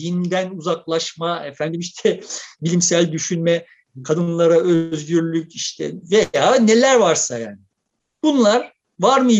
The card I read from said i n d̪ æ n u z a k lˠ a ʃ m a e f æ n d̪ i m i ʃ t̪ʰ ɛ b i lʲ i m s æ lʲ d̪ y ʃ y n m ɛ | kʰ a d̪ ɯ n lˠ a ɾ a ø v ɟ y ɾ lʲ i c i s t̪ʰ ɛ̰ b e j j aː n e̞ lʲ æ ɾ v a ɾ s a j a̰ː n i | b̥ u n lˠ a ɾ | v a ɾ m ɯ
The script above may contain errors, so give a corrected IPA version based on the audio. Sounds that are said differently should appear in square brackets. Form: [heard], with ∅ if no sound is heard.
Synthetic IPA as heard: i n d̪ æ n u z a k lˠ a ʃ m a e f æ n d̪ i m i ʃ t̪ʰ ɛ b i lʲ i m s æ lʲ d̪ y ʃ y n m ɛ | kʰ a d̪ ɯ n lˠ a ɾ a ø [z] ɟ y ɾ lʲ [y] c i [ʃ] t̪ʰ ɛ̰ [v] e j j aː n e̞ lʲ æ ɾ v a ɾ s a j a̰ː n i | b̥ u n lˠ a ɾ | v a ɾ m ɯ